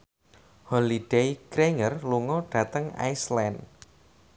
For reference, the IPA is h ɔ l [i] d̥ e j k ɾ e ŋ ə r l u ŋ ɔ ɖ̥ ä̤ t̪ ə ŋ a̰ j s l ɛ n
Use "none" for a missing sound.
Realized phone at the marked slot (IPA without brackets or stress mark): i